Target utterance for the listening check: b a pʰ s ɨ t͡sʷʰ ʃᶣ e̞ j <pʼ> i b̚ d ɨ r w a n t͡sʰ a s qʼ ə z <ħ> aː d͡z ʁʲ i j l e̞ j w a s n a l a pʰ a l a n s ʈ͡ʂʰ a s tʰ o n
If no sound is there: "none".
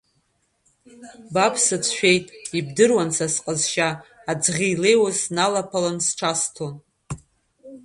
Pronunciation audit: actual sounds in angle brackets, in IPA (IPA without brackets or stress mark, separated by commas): tʼ, ʃ